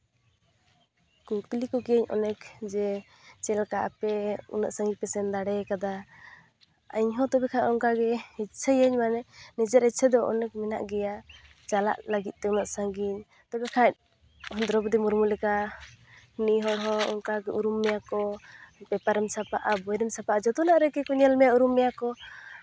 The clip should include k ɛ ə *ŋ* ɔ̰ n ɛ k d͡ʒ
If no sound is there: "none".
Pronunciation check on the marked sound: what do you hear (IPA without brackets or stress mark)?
ɲ